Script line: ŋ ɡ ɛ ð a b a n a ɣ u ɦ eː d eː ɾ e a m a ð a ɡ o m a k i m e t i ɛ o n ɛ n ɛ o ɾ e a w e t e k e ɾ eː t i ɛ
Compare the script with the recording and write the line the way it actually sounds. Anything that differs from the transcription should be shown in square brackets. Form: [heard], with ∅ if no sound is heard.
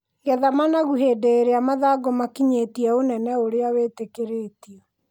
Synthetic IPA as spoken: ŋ ɡ ɛ ð a [m] a n a ɣ u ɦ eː d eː ɾ e a m a ð a ɡ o m a k i [ɲ] e t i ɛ o n ɛ n ɛ o ɾ e a w e t e k e ɾ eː t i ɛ